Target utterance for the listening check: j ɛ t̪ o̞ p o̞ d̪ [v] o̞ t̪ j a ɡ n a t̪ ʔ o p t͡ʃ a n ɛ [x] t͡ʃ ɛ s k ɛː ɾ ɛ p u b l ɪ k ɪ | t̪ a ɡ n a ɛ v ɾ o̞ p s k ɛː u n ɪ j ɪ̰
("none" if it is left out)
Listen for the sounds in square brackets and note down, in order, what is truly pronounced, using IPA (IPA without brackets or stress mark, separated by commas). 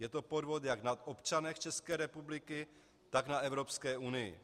v, x